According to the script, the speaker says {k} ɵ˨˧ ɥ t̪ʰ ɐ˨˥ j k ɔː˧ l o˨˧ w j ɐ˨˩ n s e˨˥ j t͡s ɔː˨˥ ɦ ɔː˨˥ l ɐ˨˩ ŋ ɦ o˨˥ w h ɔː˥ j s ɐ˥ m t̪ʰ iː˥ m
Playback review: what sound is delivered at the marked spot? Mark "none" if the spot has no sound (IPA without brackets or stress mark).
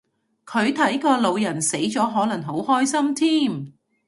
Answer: kʰ